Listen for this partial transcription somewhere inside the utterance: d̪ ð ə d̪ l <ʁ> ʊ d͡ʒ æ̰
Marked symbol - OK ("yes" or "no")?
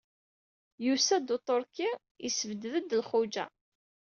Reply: no